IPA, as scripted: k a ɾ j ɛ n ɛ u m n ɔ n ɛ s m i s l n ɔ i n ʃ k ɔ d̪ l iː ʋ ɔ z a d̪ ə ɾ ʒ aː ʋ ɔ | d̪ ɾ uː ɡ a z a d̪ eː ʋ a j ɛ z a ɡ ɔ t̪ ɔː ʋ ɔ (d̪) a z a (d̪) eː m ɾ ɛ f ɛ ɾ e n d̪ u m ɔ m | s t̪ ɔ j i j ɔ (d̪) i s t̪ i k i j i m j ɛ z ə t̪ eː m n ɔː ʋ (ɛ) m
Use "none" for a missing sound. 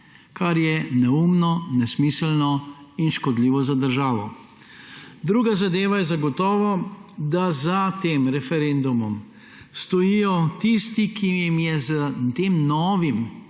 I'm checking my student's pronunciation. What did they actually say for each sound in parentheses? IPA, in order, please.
d̪, t̪, t̪, i

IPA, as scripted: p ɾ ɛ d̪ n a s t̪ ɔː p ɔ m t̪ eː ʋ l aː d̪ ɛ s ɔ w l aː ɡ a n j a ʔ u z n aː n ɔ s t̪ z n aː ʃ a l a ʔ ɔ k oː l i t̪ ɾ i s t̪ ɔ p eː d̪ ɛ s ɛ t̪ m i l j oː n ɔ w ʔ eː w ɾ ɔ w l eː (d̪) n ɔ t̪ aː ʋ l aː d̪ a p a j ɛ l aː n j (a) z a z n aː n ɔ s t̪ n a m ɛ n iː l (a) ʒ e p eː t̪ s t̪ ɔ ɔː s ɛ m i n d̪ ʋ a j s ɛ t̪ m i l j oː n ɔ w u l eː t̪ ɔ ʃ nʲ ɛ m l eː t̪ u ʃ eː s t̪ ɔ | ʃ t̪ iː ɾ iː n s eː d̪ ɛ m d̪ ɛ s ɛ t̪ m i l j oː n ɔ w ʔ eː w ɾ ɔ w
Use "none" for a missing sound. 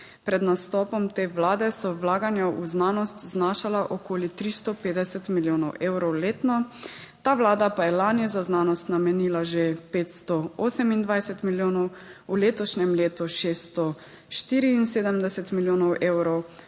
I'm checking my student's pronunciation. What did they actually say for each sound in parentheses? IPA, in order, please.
t̪, ɛ, a

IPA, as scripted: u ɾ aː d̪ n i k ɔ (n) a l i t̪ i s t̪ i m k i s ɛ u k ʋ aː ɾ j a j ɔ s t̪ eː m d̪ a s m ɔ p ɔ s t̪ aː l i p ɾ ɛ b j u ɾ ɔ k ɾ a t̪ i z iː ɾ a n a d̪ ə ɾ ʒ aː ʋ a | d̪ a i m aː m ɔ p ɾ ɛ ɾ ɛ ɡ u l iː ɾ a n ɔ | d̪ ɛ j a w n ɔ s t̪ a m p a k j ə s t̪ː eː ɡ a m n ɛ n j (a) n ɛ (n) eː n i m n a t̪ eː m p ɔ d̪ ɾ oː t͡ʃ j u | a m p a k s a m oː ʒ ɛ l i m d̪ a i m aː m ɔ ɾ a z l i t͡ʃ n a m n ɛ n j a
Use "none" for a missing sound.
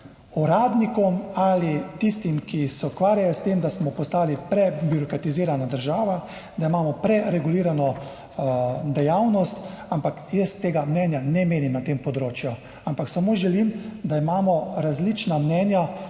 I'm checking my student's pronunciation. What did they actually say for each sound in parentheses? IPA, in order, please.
m, a, m

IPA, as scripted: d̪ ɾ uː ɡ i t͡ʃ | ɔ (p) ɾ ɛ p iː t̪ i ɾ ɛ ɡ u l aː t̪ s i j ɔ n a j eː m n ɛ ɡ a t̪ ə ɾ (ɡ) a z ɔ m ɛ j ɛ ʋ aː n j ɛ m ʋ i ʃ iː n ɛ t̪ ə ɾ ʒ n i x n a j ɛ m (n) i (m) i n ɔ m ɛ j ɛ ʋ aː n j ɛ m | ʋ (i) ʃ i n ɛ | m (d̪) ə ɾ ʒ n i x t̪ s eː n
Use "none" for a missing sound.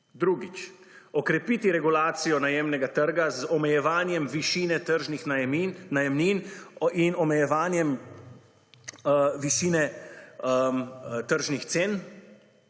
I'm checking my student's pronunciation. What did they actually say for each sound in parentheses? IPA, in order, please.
k, ɡ, n, n, i, t̪

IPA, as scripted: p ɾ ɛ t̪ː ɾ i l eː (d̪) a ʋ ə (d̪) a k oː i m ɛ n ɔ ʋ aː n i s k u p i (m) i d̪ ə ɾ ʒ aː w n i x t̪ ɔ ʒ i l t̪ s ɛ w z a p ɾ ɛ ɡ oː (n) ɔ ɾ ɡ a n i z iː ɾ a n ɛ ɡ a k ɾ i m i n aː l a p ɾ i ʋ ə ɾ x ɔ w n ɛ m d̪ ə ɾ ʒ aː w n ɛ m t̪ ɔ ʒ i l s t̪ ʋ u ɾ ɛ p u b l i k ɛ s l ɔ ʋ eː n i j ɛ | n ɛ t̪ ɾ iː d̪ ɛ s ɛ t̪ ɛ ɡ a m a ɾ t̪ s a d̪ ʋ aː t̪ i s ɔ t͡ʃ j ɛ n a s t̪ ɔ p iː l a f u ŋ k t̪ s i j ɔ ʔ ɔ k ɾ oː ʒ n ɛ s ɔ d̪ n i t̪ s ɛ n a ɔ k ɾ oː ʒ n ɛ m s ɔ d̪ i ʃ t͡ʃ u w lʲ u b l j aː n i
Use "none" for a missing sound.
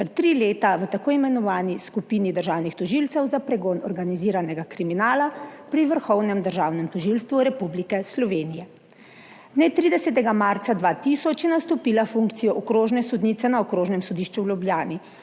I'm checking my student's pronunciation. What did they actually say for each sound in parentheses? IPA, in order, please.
t̪, t̪, n, n

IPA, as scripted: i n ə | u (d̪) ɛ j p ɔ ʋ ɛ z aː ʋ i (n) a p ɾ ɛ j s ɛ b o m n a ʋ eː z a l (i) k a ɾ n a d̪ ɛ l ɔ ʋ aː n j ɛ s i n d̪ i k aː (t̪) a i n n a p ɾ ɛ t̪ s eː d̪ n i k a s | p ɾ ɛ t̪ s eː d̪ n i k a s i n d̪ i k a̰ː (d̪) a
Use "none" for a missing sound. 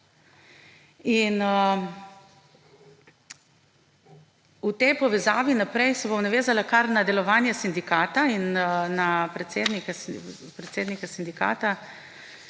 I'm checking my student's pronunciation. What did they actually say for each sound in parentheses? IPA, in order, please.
t̪, n, a, t̪, t̪

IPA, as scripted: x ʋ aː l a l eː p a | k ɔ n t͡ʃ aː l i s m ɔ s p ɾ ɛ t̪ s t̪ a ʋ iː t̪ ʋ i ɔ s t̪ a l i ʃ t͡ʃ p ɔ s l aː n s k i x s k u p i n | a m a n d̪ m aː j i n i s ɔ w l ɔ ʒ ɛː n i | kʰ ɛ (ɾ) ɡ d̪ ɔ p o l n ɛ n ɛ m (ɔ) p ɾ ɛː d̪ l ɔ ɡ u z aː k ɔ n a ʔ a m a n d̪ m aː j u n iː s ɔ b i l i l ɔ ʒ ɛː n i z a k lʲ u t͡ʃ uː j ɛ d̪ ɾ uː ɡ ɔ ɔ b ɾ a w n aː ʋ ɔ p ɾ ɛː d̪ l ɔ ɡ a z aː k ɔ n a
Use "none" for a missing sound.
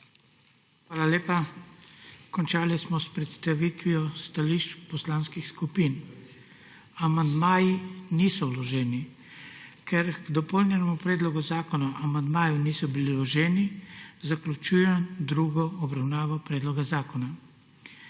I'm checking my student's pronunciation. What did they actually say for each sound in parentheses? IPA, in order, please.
ɾ, u

